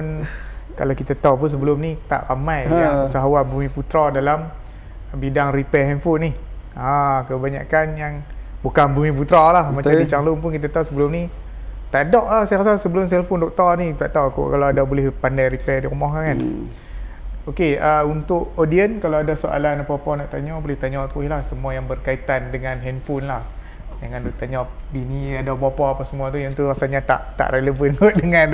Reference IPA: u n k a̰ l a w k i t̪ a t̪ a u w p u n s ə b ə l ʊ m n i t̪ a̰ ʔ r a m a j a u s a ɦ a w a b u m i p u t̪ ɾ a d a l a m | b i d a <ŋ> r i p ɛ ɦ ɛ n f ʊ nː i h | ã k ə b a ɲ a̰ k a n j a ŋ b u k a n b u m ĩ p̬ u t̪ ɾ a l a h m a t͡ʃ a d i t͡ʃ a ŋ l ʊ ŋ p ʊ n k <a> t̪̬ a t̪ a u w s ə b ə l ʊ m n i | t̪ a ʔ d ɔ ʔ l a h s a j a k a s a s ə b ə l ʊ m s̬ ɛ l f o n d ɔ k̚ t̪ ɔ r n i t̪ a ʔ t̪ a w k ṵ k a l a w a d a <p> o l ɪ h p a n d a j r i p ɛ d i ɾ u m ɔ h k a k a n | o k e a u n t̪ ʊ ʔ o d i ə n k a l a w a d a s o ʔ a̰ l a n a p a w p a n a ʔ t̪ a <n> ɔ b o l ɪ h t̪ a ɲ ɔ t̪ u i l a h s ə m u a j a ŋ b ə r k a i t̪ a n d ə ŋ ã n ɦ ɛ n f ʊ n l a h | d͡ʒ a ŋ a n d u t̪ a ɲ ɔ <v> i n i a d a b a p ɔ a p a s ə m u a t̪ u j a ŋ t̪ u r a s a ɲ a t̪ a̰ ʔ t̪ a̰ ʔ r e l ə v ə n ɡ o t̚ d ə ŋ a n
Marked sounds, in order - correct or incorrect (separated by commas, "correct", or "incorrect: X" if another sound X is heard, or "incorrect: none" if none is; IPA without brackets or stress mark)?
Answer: correct, incorrect: i, incorrect: b, incorrect: ɲ, incorrect: b